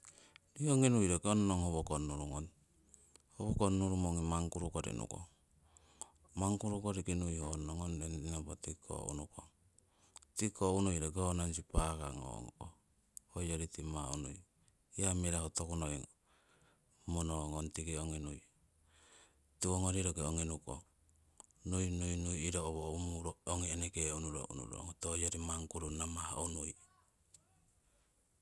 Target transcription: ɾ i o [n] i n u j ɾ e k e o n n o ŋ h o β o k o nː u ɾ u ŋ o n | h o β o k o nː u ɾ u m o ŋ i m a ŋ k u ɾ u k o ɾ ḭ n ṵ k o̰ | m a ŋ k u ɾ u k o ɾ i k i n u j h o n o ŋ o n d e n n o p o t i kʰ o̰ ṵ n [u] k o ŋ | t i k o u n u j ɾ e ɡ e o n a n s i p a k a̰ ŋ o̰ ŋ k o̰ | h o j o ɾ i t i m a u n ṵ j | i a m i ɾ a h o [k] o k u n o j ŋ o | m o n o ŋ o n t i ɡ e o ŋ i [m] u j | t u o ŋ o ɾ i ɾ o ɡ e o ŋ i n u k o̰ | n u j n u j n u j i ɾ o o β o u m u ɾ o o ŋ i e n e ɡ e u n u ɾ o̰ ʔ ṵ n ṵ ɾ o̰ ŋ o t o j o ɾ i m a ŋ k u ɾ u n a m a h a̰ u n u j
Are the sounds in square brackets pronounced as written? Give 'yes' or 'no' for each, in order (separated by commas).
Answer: no, yes, no, no